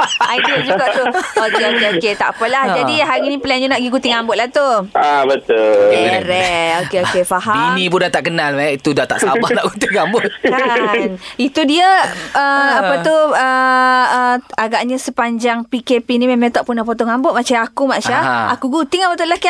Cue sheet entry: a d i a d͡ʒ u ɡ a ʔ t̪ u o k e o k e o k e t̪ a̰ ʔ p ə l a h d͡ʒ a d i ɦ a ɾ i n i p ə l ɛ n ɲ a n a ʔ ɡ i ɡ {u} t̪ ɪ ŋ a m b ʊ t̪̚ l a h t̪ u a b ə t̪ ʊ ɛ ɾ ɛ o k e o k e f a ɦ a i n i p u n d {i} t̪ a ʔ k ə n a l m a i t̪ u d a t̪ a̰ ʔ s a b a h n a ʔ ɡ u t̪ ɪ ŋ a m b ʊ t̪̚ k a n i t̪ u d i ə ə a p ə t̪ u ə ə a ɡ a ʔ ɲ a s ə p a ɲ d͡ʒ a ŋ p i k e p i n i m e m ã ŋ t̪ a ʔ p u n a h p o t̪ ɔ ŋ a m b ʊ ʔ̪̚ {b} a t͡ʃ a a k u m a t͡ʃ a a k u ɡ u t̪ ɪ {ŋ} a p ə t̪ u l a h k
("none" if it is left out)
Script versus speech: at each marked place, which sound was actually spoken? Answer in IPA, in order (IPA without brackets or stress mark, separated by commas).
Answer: u, a, m, ŋ